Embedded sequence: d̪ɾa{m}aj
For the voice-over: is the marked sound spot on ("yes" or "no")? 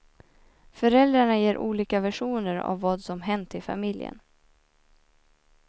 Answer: no